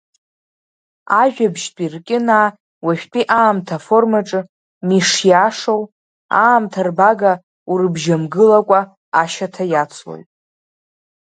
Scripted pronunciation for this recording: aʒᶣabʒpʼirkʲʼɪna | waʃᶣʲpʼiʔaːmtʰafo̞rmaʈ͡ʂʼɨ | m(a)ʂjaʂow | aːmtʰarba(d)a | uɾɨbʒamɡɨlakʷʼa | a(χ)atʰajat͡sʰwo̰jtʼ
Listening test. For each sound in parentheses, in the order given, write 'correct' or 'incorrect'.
incorrect, incorrect, incorrect

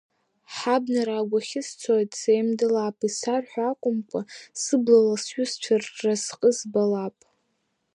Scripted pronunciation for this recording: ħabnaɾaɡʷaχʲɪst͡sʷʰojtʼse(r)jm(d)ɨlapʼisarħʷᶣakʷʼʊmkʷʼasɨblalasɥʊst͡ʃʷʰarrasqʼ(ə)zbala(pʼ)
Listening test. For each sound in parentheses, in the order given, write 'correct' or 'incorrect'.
incorrect, correct, correct, correct

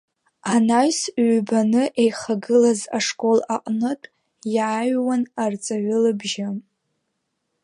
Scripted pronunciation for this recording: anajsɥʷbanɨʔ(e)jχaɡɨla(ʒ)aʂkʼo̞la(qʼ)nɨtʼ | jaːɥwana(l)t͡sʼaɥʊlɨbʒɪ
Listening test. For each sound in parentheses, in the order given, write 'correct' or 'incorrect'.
correct, incorrect, correct, incorrect

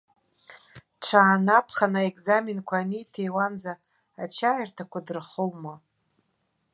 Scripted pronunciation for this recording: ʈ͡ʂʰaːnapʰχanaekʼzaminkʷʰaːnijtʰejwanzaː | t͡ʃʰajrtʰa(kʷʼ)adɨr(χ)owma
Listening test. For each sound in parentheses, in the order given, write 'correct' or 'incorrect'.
incorrect, correct

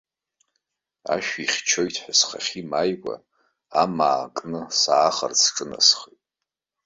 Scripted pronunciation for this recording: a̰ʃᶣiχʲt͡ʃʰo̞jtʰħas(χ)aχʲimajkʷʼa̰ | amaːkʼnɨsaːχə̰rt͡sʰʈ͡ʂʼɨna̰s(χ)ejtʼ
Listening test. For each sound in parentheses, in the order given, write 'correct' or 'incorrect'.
correct, correct

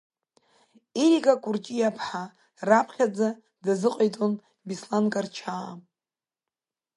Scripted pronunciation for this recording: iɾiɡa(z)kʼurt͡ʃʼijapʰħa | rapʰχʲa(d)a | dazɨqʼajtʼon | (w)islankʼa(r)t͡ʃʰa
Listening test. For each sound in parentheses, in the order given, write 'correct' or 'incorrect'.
incorrect, incorrect, incorrect, correct

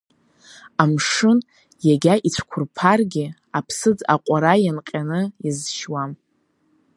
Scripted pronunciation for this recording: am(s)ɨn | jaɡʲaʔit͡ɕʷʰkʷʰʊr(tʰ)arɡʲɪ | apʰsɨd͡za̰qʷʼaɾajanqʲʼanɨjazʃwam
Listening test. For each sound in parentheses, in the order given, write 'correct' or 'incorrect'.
incorrect, incorrect

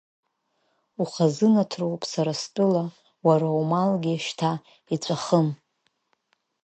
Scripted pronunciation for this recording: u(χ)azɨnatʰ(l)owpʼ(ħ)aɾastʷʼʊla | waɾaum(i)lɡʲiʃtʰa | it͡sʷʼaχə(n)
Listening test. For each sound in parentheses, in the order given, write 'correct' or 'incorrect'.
correct, incorrect, incorrect, incorrect, incorrect

